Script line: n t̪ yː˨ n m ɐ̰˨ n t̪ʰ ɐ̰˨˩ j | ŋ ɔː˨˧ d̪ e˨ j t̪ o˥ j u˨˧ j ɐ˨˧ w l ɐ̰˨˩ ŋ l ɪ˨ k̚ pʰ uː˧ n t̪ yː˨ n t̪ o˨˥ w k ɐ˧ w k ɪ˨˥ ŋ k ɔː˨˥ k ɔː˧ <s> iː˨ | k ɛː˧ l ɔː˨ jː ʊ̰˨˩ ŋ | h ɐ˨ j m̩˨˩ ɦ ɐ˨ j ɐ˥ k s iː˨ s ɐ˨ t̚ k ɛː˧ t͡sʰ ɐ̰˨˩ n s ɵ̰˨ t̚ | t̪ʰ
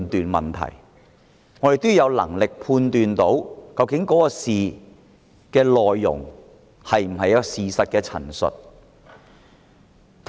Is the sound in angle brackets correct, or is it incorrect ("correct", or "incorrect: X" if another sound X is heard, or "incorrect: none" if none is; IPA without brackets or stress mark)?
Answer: correct